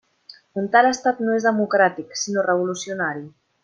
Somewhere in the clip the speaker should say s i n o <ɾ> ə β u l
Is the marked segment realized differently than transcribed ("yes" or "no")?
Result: yes